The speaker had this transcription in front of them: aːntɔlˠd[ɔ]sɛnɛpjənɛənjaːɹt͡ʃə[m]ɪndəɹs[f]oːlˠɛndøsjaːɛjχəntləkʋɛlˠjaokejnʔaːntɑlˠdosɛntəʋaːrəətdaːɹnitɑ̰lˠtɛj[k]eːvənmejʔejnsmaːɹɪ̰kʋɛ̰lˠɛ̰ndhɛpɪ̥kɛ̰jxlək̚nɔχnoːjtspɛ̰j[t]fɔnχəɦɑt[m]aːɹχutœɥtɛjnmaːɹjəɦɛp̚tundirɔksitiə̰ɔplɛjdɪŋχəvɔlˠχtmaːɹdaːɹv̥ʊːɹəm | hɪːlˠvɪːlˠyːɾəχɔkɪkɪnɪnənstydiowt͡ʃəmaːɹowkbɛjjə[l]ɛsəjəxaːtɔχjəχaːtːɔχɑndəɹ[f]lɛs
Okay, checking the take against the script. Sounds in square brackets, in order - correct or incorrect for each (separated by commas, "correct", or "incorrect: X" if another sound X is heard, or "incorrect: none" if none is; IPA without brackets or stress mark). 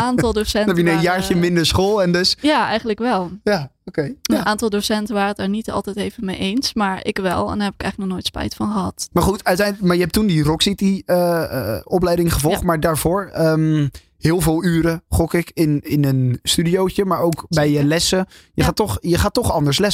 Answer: incorrect: o, correct, incorrect: χ, incorrect: t, correct, correct, correct, incorrect: s